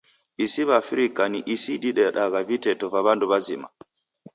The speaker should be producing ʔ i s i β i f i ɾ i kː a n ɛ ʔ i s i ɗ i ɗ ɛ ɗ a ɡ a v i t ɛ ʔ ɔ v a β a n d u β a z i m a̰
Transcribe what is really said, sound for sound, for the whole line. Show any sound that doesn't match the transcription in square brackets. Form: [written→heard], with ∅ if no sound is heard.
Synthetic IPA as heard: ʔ i s i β [i→a] f i ɾ i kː a n [ɛ→i] ʔ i s i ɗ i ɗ ɛ ɗ a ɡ a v i t ɛ [ʔ→t] ɔ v a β a n d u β a z i m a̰